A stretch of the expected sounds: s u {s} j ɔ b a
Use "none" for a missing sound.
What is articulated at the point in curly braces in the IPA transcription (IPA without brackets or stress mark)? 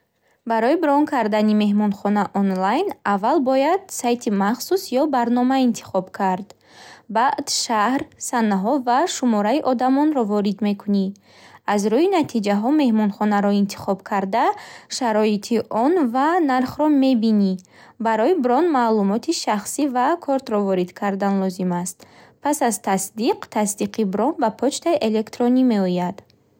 s